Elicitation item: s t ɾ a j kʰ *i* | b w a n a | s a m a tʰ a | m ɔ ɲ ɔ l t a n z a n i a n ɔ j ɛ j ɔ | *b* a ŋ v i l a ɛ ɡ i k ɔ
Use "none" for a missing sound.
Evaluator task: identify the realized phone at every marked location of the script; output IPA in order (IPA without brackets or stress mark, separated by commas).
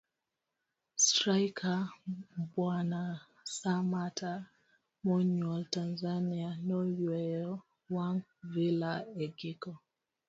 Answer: a, w